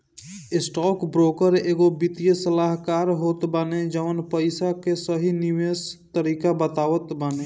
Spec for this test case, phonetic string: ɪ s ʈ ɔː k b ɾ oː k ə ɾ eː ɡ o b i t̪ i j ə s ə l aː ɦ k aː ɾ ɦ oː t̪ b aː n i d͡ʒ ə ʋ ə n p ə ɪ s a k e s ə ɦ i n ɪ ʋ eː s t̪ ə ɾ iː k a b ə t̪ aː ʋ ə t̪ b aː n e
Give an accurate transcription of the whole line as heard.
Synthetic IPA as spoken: ɪ s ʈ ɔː k b ɾ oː k ə ɾ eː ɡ o b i t̪ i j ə s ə l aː ɦ k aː ɾ ɦ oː t̪ b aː n e d͡ʒ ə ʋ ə n p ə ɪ s a k e s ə ɦ i n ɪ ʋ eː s t̪ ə ɾ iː k a b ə t̪ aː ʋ ə t̪ b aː n e